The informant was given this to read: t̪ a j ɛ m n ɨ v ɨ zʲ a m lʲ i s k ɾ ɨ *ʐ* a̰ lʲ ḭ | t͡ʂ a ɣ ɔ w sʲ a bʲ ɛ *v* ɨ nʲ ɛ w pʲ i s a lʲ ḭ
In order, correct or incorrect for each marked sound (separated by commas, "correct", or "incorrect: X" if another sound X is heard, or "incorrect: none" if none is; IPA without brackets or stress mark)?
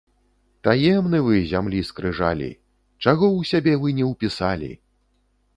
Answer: correct, correct